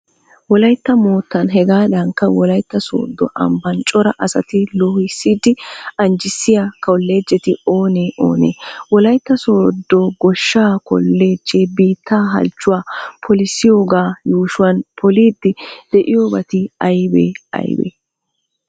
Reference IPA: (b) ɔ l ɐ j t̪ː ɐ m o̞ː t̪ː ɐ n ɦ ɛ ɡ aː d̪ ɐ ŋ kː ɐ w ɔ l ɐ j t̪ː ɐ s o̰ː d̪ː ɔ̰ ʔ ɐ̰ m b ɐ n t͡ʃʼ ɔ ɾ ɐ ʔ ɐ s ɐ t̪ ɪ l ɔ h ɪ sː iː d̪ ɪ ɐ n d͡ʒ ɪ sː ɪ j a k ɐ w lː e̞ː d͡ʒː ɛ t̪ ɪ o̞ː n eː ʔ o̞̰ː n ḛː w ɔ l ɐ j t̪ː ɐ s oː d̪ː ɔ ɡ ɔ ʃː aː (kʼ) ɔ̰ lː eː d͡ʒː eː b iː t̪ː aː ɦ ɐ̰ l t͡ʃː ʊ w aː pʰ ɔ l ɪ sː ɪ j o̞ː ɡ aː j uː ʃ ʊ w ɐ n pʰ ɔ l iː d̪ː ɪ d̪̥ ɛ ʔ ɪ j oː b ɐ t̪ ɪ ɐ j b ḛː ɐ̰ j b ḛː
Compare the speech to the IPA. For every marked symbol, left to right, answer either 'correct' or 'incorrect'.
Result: incorrect, incorrect

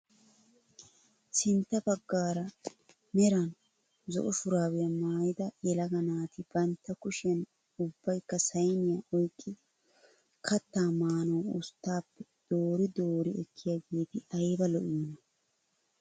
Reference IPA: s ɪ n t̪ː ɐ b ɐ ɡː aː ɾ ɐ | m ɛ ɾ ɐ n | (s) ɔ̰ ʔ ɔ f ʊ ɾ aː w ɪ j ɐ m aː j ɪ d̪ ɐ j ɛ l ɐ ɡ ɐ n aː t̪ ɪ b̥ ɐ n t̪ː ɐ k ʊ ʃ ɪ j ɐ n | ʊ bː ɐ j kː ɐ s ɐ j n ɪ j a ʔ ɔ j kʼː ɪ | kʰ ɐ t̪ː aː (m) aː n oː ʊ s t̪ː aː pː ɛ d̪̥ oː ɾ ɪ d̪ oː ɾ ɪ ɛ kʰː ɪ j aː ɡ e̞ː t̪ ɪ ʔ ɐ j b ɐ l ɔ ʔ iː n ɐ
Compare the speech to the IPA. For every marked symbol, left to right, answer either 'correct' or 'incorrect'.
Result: incorrect, correct

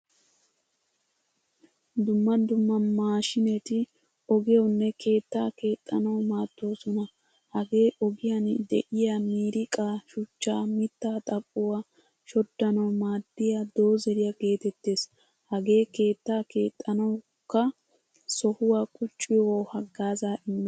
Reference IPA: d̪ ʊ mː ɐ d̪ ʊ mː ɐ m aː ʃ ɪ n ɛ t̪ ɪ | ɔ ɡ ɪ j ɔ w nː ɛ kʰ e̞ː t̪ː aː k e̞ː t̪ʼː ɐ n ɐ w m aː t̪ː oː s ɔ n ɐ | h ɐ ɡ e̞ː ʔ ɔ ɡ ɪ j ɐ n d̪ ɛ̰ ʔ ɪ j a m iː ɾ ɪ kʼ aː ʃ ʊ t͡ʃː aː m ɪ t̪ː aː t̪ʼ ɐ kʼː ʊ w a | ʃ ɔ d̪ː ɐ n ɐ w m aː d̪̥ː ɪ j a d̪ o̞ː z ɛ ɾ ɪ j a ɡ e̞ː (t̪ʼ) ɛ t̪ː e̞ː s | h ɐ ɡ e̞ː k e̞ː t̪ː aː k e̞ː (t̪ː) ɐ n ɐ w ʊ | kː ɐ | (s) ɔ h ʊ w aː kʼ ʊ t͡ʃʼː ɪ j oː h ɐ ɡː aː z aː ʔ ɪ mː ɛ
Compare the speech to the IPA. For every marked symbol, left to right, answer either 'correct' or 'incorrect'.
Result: incorrect, incorrect, correct

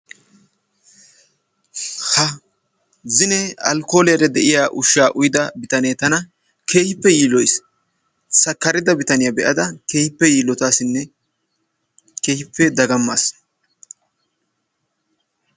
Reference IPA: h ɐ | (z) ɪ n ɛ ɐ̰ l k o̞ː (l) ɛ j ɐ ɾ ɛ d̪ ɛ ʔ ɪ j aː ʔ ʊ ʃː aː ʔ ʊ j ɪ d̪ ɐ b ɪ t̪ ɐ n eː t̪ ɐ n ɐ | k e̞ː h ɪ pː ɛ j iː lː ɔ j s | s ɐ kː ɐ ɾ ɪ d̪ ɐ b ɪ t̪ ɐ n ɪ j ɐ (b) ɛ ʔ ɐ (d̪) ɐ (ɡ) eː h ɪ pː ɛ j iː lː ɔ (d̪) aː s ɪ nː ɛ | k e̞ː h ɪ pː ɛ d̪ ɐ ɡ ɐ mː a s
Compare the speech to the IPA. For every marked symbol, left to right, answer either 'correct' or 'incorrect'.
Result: correct, correct, correct, correct, incorrect, incorrect

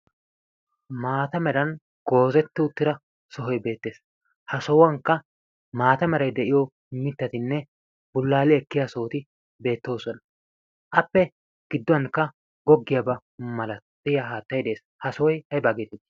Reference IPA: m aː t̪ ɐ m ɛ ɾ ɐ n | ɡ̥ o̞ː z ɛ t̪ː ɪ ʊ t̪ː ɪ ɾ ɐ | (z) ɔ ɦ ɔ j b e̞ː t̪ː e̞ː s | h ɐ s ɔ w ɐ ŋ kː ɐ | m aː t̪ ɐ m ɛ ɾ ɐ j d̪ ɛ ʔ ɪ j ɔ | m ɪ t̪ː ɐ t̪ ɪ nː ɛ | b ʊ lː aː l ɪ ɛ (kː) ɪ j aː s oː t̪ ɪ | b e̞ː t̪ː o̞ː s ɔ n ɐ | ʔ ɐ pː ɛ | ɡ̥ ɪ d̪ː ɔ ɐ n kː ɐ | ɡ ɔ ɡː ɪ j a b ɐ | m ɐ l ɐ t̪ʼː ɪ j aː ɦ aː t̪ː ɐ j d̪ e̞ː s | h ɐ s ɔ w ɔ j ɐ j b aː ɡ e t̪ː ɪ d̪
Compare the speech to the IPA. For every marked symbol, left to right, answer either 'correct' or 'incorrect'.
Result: incorrect, correct

